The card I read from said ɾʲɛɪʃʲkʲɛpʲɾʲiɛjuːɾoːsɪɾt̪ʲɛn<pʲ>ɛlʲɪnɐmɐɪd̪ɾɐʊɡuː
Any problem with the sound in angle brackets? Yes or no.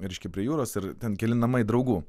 yes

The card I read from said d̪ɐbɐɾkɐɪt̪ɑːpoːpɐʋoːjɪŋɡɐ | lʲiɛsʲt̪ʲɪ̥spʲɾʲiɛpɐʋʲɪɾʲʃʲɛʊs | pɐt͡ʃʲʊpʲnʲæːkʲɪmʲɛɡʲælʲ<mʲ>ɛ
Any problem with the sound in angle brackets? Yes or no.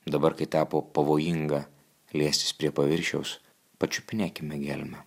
no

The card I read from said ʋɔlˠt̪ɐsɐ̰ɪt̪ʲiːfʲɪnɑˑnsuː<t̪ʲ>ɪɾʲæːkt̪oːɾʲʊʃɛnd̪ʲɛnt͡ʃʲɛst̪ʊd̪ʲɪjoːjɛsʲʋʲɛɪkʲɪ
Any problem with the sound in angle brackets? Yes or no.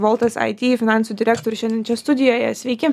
yes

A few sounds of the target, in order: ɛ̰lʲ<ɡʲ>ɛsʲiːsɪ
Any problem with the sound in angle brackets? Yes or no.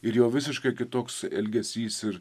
no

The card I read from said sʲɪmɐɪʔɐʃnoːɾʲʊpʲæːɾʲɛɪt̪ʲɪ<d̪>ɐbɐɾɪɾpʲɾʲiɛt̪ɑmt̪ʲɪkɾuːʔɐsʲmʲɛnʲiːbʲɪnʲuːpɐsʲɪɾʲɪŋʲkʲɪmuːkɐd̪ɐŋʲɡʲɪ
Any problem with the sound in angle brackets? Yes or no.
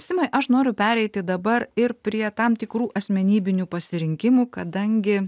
no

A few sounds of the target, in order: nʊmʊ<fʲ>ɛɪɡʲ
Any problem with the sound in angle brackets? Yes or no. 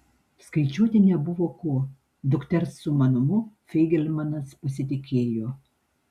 no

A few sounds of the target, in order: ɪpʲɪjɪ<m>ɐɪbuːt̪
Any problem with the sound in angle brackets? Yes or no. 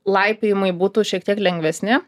no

